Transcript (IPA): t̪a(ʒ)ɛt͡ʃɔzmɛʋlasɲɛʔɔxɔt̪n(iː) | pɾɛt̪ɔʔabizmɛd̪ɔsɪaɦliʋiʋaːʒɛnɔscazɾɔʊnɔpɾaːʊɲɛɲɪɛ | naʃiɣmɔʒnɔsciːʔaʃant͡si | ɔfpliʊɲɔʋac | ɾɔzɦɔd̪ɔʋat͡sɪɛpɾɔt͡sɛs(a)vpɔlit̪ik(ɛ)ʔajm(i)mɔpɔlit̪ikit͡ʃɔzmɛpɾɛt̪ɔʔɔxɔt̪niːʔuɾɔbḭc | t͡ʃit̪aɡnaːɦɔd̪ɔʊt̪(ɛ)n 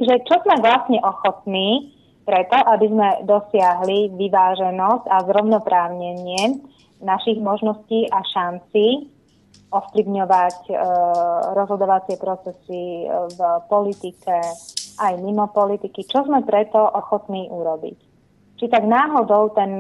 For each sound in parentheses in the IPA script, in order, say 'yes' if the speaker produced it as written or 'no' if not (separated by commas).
yes, yes, no, yes, yes, yes